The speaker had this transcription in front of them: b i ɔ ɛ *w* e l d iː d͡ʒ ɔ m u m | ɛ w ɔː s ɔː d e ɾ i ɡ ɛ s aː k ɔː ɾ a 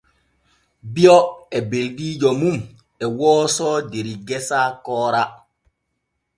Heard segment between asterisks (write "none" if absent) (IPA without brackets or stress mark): b